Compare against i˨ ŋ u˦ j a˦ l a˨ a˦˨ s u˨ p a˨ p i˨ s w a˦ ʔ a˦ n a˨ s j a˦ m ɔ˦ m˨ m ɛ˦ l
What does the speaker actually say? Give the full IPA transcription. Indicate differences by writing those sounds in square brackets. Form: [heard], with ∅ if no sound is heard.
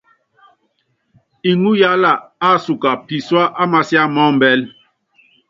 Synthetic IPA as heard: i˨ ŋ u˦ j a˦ l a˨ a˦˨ s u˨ [k] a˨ p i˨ s w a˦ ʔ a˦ [m] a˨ s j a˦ m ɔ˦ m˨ [b] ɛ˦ l